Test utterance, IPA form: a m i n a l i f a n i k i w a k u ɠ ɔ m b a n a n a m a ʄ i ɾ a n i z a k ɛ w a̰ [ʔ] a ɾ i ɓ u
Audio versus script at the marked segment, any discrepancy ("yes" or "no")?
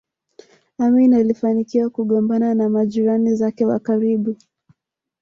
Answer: yes